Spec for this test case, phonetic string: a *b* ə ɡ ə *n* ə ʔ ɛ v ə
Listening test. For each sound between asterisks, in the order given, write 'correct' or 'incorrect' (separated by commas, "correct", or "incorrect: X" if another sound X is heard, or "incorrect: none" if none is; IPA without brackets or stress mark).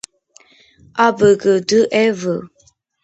correct, incorrect: d